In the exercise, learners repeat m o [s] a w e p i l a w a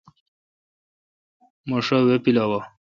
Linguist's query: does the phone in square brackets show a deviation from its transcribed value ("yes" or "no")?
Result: yes